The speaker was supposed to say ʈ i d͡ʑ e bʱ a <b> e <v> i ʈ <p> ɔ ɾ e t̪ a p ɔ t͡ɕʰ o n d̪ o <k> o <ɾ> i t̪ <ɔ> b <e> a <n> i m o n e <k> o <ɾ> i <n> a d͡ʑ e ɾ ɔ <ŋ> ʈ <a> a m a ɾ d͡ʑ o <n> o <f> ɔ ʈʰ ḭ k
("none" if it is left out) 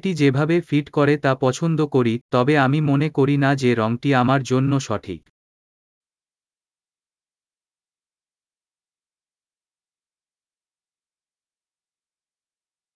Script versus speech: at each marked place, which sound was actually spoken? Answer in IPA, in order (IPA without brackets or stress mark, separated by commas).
b, f, k, k, ɾ, ɔ, e, m, k, ɾ, n, ŋ, i, nː, ʃ